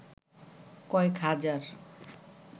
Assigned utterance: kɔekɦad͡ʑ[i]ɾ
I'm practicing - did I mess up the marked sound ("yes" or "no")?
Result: yes